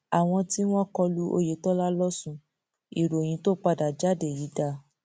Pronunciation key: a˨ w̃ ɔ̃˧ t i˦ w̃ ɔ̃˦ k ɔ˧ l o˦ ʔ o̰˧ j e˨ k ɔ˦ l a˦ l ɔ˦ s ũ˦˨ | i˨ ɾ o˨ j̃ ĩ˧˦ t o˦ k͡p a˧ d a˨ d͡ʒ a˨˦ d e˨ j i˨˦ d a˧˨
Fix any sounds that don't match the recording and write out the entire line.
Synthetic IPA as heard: a˨ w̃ ɔ̃˧ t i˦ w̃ ɔ̃˦ k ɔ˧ l u˦ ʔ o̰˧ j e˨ t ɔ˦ l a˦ l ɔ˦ s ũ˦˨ | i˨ ɾ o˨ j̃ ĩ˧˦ t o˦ k͡p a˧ d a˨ d͡ʒ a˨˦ d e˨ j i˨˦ d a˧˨